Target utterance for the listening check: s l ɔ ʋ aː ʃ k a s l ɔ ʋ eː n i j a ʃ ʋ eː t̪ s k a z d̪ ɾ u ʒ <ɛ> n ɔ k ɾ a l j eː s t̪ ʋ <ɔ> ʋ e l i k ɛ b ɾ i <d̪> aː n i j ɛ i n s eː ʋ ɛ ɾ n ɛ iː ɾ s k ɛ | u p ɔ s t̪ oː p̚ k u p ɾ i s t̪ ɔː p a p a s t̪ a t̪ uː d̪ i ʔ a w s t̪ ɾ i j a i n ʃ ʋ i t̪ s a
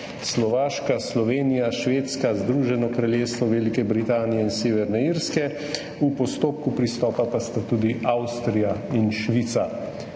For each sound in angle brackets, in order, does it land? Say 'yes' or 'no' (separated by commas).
yes, yes, no